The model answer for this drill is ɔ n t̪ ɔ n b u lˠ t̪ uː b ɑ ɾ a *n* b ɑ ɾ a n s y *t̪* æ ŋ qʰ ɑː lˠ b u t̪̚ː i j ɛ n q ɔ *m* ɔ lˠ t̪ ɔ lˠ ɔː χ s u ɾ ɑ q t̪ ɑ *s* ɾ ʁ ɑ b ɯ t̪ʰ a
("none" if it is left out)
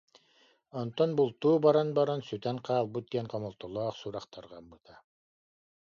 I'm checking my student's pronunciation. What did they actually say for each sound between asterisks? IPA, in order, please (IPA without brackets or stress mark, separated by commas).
n, t̪, m, none